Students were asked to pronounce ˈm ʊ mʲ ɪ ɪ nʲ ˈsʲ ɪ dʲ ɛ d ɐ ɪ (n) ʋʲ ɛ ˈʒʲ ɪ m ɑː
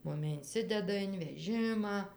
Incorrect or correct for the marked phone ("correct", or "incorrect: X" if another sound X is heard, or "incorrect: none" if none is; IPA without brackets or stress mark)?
correct